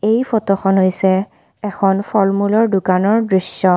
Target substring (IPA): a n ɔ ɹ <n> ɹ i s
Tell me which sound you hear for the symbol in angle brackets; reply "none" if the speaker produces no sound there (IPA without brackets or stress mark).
d